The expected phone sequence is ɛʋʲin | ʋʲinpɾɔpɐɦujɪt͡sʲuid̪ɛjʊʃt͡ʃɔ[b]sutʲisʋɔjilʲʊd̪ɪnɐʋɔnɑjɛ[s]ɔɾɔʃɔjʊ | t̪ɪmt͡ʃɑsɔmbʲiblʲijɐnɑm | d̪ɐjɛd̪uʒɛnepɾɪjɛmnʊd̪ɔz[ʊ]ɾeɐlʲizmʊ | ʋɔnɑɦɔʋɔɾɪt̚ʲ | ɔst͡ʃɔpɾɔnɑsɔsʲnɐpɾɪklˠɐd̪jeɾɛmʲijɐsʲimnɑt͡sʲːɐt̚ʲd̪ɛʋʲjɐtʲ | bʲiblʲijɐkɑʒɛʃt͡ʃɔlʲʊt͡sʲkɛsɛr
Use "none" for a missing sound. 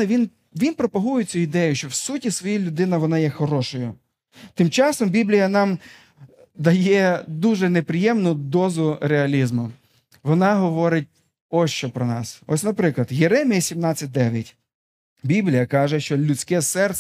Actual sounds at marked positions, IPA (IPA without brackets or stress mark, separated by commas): w, x, ʊ